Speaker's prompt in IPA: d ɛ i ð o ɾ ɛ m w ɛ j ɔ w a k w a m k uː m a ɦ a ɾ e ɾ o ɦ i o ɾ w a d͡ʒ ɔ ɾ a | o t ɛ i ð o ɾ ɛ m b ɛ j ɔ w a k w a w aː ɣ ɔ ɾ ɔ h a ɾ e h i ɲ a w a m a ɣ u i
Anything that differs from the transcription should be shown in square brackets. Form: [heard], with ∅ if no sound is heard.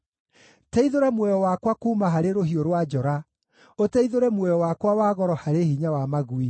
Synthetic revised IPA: [t] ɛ i ð o ɾ ɛ m w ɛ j ɔ w a k w a [∅] k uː m a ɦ a ɾ e ɾ o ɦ i o ɾ w a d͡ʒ ɔ ɾ a | o t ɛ i ð o ɾ ɛ m [w] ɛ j ɔ w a k w a w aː ɣ ɔ ɾ ɔ h a ɾ e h i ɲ a w a m a ɣ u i